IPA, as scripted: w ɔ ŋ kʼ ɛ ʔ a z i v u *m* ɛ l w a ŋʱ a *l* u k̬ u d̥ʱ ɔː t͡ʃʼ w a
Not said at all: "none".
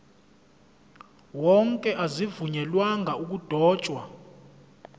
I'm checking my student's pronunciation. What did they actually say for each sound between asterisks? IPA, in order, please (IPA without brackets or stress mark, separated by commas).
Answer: ɲ, none